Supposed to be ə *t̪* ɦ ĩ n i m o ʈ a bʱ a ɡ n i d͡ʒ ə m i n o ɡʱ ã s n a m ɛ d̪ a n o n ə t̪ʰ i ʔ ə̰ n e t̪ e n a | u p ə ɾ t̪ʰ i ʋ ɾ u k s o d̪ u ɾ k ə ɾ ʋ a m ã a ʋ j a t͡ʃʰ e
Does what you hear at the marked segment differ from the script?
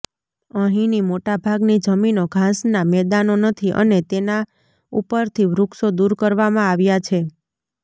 yes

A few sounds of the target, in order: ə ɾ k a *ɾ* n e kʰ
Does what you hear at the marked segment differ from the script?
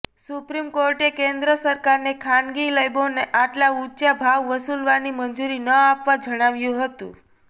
no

